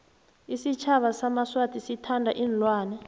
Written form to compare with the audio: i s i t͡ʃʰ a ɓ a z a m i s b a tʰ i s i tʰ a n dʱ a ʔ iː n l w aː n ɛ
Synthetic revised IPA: i s i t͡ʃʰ a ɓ a s a m a s w a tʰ i s i tʰ a n dʱ a ʔ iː n l w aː n ɛ